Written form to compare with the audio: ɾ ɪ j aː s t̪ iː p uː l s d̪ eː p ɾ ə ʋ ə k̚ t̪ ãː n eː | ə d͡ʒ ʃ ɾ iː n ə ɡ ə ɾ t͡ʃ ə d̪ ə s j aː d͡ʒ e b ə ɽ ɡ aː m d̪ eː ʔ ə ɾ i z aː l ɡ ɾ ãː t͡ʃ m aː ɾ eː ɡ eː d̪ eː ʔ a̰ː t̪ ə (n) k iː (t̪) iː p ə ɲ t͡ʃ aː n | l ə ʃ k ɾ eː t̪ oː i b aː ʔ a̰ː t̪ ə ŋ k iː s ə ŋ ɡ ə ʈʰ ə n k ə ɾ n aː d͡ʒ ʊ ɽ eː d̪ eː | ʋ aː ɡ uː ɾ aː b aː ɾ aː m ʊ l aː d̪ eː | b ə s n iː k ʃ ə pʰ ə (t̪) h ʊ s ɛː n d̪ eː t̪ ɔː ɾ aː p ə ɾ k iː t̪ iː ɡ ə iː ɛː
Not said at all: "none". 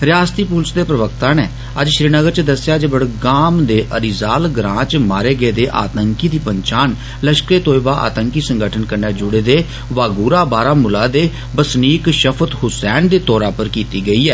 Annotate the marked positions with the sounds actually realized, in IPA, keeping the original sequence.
ŋ, d̪, t̪

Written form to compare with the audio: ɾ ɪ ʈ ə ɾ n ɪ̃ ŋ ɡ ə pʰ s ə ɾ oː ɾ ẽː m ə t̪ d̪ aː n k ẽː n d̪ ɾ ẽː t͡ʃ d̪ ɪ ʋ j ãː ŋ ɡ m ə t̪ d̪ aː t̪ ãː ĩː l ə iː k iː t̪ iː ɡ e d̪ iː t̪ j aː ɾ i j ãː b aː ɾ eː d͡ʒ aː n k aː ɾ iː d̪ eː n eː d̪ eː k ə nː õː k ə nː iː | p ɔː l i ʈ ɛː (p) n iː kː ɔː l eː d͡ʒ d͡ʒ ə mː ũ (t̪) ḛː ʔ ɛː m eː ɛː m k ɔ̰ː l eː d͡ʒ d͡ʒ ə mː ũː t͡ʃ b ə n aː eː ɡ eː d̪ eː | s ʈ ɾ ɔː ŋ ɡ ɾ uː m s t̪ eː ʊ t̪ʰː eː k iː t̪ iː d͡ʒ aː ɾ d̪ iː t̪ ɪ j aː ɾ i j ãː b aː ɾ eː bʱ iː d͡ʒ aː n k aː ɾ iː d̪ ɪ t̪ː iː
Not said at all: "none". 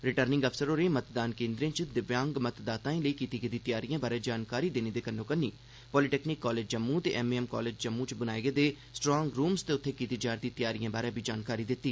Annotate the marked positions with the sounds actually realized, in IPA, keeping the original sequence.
k, t̪

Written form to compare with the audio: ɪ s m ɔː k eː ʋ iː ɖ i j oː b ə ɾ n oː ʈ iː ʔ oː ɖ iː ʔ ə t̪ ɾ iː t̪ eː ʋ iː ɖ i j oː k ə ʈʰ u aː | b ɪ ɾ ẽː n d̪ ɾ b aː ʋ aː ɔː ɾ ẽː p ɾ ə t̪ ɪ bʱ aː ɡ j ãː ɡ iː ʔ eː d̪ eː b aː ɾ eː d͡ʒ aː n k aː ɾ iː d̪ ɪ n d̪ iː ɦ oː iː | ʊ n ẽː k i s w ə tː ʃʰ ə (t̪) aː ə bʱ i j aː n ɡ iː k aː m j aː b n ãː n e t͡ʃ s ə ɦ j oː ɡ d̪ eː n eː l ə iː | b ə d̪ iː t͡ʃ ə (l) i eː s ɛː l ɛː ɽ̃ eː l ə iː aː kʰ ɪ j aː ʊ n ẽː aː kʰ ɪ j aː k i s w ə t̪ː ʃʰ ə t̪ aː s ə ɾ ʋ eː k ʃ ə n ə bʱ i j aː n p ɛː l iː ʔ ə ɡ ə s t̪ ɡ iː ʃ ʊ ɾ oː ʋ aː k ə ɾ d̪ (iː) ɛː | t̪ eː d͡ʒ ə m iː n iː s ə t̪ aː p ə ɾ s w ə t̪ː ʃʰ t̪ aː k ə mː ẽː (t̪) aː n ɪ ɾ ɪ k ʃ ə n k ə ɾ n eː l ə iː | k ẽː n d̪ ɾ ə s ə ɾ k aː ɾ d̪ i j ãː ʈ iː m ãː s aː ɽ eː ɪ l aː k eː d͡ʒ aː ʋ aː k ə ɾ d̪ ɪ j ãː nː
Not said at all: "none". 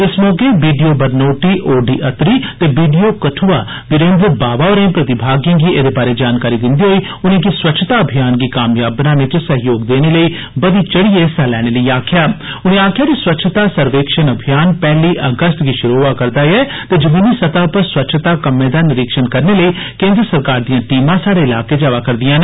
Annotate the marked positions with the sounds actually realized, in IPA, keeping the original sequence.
t̪, ɽ, aː, d̪

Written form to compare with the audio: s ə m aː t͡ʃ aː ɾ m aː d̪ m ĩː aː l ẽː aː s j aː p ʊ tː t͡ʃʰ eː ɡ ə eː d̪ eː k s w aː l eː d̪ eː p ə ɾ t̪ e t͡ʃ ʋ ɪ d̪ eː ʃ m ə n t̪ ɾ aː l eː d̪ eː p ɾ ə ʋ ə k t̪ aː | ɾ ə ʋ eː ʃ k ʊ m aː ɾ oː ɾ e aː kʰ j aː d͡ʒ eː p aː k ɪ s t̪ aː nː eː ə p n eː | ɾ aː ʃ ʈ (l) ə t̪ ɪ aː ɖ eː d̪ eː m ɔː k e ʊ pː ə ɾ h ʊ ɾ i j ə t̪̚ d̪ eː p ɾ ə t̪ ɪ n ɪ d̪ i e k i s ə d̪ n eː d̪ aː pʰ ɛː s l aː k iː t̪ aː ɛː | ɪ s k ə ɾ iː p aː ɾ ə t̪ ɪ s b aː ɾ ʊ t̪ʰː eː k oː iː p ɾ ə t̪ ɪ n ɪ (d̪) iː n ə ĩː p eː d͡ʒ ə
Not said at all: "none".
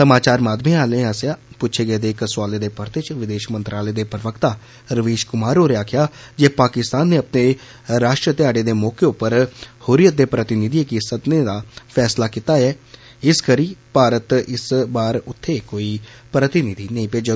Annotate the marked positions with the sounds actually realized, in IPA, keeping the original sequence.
ɾ, d̪

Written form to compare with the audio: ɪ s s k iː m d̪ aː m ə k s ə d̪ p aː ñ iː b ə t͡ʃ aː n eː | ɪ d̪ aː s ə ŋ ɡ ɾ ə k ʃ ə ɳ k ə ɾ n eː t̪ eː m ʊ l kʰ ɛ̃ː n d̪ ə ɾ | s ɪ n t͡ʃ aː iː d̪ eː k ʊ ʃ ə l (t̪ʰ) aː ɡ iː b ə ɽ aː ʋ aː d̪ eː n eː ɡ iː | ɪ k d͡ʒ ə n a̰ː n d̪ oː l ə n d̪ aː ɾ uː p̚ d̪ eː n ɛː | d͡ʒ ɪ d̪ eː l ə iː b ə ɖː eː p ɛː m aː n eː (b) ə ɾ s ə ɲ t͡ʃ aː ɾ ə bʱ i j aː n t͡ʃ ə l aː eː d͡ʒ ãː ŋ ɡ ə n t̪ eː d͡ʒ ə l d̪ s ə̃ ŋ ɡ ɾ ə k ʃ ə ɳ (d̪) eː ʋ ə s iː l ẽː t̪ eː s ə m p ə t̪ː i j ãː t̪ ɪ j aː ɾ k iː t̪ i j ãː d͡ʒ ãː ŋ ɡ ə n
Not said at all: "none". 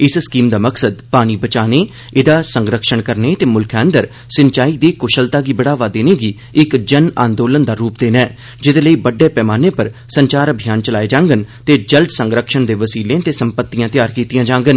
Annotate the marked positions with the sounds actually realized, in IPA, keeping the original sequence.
t̪, p, d̪

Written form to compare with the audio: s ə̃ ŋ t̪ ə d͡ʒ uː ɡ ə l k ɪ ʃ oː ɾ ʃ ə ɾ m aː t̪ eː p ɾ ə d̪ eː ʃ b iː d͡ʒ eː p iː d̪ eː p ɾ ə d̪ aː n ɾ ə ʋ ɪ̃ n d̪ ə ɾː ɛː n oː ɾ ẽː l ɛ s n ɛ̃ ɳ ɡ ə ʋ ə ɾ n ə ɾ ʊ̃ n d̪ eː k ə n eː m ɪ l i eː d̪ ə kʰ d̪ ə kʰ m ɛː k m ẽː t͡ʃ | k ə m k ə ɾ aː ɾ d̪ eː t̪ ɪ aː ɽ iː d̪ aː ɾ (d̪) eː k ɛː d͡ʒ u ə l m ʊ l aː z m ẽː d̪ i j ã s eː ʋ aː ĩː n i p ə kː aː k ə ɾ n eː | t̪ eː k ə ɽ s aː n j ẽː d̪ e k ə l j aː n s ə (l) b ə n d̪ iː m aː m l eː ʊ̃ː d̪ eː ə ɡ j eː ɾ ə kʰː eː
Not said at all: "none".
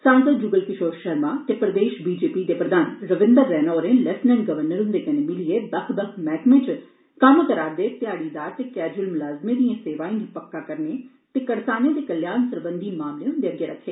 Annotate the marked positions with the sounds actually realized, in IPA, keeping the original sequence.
t̪, ɾ

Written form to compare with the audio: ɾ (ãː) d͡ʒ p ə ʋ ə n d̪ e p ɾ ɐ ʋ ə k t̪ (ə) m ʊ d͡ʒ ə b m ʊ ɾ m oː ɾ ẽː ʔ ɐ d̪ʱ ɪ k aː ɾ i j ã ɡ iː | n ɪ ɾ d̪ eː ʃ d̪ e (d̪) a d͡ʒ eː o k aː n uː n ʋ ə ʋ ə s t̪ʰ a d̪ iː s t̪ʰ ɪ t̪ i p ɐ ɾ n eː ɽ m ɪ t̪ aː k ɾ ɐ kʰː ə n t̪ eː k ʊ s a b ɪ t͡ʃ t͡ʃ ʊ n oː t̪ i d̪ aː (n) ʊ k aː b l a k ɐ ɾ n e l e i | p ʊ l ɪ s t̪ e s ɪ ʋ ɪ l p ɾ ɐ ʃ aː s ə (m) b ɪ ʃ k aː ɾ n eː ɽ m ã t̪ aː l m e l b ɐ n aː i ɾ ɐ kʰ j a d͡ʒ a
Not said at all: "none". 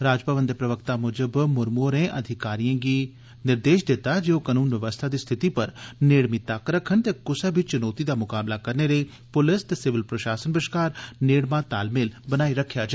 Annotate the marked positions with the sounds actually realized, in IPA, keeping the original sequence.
aː, a, t̪, m, n

